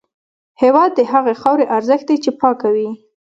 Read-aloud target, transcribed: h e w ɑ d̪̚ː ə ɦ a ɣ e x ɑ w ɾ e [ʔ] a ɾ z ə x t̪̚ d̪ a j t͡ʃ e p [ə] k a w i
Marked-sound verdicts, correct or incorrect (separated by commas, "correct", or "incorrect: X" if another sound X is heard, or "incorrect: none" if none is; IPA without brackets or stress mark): correct, incorrect: ɑ